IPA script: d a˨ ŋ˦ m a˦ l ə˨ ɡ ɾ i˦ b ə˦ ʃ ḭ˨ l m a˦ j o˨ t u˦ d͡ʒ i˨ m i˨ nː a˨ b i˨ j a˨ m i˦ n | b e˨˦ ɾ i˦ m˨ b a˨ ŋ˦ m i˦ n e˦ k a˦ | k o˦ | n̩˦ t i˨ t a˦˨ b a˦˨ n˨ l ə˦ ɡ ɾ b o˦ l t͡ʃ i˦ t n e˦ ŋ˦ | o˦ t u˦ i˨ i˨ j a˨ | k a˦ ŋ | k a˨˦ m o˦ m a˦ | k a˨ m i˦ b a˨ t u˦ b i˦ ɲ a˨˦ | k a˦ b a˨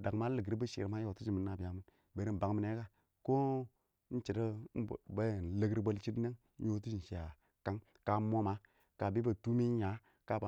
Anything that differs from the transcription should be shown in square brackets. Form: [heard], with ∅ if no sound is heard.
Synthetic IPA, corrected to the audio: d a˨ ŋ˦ m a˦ l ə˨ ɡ ɾ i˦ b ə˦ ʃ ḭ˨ [ɾ] m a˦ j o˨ t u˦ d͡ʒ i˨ m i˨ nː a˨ b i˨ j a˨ m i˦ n | b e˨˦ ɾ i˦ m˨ b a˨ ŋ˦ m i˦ n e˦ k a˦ | k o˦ | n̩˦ [t͡ʃ] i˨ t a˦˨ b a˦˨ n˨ l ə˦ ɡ ɾ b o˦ l t͡ʃ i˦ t n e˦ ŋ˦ | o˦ t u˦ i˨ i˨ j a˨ | k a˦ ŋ | k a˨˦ m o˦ m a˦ | k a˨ [b] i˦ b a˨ t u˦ [m] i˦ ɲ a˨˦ | k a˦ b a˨